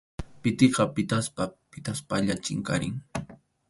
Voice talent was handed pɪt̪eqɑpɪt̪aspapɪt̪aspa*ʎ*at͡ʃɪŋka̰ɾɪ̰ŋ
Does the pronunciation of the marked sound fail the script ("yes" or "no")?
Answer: no